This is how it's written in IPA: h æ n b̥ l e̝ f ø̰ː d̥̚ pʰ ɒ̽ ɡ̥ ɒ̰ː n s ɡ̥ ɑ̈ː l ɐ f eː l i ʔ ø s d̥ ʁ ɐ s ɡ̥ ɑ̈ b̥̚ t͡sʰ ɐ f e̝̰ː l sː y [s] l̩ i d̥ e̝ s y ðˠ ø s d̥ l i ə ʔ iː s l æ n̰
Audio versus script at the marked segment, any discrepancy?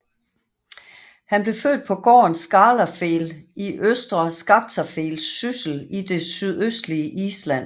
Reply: no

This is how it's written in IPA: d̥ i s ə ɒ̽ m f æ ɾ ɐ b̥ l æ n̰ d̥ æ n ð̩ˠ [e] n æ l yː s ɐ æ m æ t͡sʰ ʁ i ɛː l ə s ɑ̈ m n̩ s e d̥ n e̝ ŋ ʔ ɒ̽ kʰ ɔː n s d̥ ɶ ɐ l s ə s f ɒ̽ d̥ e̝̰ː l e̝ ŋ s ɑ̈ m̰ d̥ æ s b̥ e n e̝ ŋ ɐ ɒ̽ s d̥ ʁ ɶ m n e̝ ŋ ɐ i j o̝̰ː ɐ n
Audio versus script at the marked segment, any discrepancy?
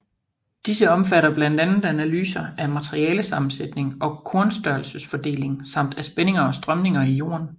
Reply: yes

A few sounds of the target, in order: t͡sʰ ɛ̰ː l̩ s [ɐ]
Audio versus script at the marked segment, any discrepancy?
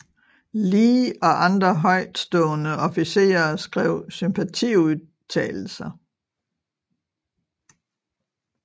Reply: no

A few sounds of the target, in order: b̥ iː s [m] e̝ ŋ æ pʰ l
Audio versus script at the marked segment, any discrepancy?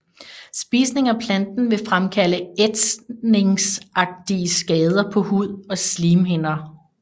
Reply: yes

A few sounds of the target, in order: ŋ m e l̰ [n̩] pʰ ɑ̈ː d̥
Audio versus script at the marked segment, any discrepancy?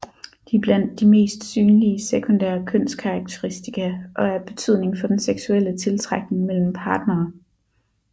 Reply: yes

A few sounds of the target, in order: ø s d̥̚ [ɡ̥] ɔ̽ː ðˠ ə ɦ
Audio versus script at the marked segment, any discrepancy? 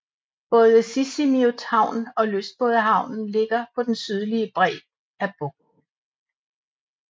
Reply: yes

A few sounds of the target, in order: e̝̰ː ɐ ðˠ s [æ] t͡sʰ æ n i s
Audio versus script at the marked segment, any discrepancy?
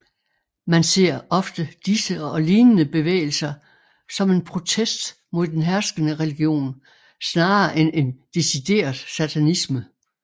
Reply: no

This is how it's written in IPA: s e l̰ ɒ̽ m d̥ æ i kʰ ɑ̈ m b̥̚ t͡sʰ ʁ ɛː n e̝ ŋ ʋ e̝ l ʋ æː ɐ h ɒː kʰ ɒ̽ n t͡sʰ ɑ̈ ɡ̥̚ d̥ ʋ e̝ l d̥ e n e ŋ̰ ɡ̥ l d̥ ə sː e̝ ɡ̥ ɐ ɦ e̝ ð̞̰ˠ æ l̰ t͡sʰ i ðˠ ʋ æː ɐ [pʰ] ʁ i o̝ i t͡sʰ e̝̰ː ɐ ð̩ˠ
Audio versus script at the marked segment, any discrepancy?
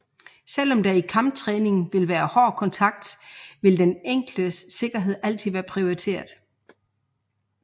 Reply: no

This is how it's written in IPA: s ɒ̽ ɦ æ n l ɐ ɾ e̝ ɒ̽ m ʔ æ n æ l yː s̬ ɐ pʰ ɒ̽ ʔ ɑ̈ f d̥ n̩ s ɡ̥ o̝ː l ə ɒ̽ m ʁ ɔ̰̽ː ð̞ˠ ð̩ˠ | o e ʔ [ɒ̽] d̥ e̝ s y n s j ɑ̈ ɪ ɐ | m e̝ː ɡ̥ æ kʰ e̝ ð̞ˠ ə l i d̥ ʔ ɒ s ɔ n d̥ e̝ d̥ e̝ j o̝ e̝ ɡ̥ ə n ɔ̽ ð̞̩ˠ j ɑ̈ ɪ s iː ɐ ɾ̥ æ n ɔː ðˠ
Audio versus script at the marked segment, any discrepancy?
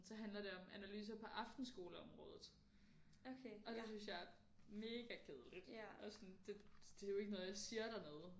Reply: no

